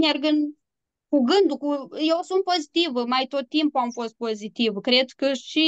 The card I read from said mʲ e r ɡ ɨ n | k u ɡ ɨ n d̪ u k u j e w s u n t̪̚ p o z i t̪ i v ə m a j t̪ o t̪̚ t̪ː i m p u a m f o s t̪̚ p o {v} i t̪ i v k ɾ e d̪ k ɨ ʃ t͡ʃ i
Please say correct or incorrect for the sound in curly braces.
incorrect